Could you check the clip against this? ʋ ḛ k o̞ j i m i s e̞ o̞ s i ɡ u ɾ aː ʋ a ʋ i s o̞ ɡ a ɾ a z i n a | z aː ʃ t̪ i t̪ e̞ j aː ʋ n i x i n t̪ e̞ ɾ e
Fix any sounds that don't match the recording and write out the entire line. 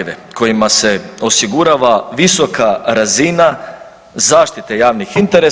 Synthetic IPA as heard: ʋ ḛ k o̞ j i m a s e̞ o̞ s i ɡ u ɾ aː ʋ a ʋ i s o̞ k a ɾ a z i n a | z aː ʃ t̪ i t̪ e̞ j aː ʋ n i x i n t̪ e̞ ɾ e